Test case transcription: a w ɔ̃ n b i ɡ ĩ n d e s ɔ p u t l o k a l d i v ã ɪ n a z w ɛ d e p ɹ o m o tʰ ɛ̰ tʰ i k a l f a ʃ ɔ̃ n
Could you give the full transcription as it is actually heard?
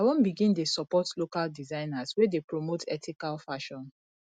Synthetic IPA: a w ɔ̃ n b i ɡ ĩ n d e s ɔ p ɔ t l o k a l d i z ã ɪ n a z w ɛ d e p ɹ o m o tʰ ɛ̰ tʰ i k a l f a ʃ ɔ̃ n